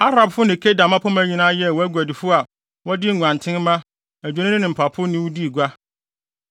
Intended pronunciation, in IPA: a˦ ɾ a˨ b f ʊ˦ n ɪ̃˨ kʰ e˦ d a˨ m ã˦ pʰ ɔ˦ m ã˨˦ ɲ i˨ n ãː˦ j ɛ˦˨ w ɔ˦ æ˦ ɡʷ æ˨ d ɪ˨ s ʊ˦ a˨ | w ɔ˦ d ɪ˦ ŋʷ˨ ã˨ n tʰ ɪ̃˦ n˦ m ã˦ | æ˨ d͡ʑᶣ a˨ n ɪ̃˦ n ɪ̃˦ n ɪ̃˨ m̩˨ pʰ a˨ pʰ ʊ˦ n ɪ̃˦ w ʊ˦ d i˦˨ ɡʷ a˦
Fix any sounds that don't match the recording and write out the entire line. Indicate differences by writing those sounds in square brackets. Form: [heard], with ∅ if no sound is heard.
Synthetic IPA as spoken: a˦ ɾ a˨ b f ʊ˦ n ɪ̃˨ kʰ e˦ d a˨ m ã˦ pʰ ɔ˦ m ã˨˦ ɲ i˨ n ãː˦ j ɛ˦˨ w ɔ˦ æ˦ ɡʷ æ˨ d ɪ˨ [f] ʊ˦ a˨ | w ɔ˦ d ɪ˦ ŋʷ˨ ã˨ n tʰ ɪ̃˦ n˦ m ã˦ | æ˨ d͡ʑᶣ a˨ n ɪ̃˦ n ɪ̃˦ n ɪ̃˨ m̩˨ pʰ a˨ pʰ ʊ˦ n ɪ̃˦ w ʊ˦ d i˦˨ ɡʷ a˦